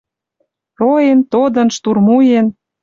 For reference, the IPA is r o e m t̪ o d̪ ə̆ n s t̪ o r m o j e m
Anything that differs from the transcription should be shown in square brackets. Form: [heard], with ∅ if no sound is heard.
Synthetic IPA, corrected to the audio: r o e [n] t̪ o d̪ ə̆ n [ʃ] t̪ [u] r m [u] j e [n]